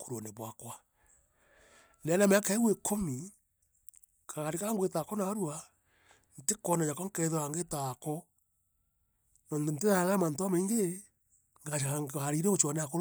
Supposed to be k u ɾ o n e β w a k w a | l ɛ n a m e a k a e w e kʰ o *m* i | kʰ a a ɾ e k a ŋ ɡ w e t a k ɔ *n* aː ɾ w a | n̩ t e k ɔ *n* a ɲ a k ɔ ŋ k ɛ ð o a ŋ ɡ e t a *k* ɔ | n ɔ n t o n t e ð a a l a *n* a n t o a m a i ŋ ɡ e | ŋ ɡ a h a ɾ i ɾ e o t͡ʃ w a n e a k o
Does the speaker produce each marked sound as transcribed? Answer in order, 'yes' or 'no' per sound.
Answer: yes, yes, yes, yes, no

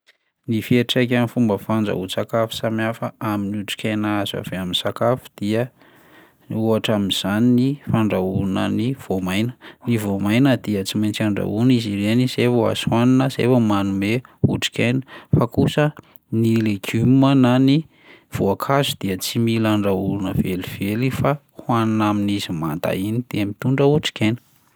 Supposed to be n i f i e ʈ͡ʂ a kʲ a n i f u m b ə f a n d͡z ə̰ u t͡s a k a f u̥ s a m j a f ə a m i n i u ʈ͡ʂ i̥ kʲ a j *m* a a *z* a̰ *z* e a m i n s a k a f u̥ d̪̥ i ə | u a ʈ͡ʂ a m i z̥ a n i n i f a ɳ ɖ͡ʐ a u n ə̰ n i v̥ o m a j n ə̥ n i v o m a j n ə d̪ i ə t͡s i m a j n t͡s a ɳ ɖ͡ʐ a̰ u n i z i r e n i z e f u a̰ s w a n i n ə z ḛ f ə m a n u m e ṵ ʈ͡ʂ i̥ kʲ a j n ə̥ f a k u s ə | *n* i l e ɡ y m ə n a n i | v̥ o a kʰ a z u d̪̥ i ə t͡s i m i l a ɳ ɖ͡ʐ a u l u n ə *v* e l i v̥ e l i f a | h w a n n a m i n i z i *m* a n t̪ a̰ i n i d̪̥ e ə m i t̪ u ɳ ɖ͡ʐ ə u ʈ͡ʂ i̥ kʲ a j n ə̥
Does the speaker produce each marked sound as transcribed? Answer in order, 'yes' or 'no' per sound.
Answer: no, yes, no, yes, yes, yes

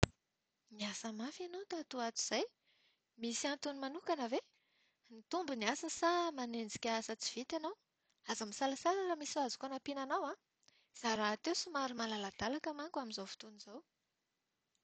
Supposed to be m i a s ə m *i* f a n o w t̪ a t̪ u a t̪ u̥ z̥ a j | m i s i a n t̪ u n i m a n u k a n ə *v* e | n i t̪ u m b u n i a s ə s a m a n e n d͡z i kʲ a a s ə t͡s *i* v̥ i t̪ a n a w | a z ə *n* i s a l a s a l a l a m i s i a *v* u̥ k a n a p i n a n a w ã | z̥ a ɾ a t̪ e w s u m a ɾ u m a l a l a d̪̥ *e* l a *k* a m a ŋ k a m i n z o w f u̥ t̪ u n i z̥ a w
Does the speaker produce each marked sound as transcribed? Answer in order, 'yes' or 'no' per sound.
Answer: no, yes, yes, no, no, no, yes

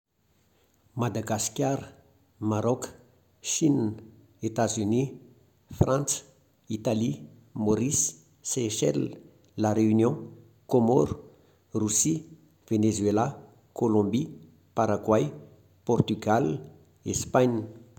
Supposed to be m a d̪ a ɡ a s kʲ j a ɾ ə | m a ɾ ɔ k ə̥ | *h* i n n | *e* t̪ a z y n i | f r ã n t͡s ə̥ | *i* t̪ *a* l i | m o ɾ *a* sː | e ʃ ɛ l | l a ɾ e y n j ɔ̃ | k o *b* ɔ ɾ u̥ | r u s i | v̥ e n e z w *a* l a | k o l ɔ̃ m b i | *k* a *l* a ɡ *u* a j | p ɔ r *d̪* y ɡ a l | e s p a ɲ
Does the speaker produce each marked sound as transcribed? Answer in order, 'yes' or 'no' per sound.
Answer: no, yes, yes, yes, no, no, no, no, no, no, no

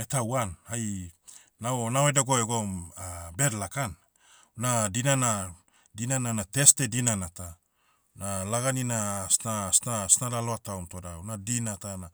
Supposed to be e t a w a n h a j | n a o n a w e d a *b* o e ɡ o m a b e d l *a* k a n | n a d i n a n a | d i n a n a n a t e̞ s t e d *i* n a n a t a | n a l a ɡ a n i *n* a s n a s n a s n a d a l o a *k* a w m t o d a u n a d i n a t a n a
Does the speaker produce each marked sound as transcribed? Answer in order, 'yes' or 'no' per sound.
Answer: no, yes, yes, yes, no

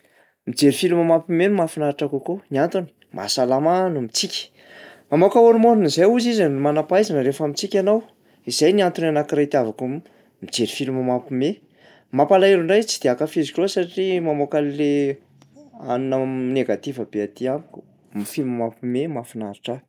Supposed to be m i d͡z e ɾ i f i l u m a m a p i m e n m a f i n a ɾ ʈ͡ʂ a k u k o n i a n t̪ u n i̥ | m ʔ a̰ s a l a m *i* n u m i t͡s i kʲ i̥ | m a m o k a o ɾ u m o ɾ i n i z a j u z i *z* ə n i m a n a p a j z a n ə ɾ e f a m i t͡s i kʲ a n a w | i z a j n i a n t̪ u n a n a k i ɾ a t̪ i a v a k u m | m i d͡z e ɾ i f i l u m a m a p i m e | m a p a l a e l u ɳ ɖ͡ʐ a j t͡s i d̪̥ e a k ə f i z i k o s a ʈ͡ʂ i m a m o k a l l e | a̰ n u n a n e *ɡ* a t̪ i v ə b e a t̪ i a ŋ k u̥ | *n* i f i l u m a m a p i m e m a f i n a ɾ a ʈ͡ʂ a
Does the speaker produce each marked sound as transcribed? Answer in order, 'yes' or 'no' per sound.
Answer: no, yes, yes, no

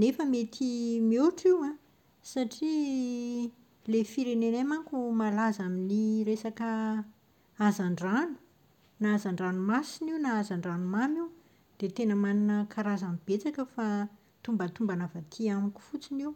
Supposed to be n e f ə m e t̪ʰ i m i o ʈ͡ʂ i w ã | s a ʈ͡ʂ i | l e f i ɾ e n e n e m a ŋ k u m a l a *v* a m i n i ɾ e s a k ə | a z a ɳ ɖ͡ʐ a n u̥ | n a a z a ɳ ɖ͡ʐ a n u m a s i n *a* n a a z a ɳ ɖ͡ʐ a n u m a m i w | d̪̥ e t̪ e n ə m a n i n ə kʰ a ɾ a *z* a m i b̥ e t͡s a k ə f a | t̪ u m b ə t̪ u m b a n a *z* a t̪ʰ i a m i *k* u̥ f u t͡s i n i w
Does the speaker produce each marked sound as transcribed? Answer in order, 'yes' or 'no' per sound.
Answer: no, no, yes, no, yes

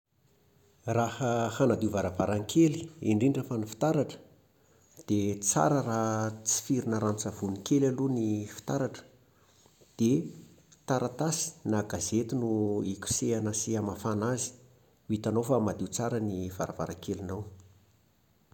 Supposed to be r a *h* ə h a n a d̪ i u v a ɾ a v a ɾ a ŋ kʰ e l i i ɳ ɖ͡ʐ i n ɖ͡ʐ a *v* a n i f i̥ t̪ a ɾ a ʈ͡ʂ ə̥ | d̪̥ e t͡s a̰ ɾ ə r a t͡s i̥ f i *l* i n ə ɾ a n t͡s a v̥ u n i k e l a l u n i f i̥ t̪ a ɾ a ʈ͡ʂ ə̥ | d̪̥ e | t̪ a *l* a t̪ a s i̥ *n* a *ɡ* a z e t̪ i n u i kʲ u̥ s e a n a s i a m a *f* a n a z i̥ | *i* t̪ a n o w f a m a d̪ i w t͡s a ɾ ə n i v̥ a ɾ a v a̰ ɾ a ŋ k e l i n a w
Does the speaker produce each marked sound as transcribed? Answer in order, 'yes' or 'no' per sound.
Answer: yes, no, no, no, yes, yes, yes, yes

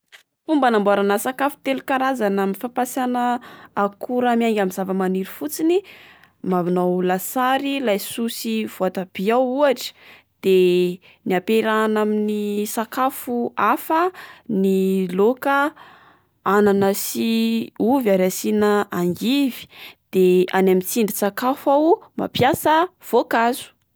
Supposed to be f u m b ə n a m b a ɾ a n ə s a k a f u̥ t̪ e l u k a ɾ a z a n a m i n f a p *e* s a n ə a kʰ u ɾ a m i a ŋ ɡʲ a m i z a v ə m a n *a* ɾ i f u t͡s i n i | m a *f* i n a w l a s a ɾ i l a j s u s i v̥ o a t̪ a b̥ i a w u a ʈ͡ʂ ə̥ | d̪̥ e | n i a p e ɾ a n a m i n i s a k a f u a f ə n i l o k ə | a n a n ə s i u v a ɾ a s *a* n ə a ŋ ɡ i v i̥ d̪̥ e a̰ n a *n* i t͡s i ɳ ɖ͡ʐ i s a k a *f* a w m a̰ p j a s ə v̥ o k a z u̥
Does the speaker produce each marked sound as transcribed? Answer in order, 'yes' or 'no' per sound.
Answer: no, no, no, no, no, yes

